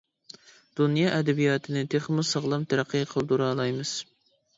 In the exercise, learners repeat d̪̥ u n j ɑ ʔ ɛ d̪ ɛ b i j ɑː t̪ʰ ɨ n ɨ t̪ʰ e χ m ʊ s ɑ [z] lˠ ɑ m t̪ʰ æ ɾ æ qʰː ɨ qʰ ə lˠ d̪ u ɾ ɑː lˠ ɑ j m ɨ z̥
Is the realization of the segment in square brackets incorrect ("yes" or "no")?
yes